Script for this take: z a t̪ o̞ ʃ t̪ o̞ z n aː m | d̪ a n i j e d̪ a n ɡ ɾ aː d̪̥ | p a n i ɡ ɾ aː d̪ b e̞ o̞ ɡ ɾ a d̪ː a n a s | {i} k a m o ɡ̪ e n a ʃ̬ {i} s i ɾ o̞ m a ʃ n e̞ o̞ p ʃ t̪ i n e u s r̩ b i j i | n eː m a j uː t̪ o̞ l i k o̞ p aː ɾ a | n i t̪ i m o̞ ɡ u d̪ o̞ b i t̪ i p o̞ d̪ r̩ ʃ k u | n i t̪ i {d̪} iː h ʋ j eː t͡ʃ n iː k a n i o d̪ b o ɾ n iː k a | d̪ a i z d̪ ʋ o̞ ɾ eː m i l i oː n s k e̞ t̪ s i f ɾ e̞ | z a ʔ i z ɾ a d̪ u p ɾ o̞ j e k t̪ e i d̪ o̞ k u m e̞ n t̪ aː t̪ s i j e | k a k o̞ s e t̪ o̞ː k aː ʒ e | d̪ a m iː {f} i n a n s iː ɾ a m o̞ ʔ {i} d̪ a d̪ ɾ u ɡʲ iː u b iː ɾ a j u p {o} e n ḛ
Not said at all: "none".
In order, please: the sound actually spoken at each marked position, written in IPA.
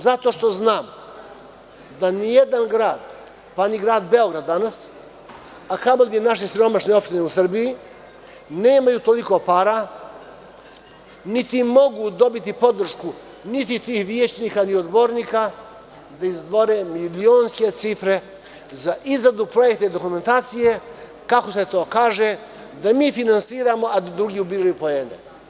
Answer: a, e, t̪, f, a, o

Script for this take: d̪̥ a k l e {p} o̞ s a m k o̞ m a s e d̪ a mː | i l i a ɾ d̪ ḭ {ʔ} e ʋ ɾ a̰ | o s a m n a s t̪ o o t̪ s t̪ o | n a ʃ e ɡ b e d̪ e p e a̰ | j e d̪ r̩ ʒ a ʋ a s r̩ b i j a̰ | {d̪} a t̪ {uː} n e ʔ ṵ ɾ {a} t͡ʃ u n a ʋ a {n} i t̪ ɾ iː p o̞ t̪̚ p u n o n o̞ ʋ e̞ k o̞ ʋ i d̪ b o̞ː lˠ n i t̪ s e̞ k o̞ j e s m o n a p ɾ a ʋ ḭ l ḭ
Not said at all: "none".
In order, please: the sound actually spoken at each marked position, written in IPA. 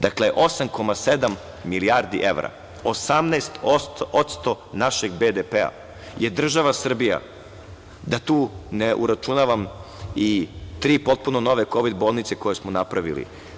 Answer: ʔ, ʔ, d̪, uː, a, m

